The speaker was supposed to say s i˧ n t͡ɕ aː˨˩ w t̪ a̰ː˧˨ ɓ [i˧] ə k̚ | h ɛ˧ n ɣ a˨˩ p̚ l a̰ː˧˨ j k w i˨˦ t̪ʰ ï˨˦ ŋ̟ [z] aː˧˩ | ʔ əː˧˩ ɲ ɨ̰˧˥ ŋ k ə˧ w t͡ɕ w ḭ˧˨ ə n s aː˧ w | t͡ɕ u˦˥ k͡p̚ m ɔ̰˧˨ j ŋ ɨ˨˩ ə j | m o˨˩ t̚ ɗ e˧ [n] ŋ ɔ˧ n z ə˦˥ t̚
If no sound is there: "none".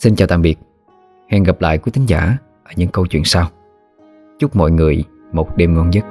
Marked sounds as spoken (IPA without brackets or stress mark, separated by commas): i˨˩, z, m